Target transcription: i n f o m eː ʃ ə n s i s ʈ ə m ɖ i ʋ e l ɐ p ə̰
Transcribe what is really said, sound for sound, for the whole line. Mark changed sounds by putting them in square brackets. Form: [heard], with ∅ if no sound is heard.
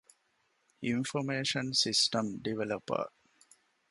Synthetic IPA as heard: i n f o m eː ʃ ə n s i s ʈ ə m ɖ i ʋ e l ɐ p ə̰